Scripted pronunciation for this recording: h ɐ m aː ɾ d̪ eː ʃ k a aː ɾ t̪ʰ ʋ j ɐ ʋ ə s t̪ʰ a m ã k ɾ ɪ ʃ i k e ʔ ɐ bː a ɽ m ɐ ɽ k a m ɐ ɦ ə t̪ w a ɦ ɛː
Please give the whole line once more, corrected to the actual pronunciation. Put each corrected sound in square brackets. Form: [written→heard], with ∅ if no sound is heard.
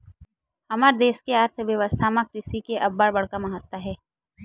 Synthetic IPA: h ɐ m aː ɾ d̪ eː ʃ k [a→e] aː ɾ t̪ʰ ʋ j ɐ ʋ ə s t̪ʰ a m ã k ɾ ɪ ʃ i k e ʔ ɐ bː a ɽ [m→b] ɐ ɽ k a m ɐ ɦ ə t̪ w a ɦ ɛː